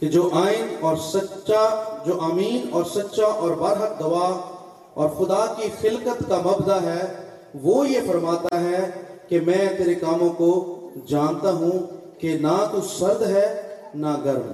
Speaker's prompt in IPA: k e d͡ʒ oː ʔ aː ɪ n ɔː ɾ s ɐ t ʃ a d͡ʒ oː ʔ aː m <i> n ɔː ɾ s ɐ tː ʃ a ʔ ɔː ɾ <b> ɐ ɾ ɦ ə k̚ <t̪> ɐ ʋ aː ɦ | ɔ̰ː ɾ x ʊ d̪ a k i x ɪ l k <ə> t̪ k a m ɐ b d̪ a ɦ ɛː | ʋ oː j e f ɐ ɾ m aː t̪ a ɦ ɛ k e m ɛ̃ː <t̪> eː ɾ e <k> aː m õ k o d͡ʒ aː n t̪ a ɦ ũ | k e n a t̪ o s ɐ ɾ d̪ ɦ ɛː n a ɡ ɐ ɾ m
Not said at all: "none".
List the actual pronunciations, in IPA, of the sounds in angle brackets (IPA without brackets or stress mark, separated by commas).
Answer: iː, b, d̪, ə, t̪, k